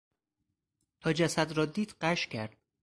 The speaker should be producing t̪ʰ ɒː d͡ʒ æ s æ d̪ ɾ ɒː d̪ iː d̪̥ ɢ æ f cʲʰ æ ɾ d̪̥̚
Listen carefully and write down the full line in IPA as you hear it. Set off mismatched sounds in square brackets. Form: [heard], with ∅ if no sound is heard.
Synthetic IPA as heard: t̪ʰ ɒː d͡ʒ æ s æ d̪ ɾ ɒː d̪ iː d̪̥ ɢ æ [ʃ] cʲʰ æ ɾ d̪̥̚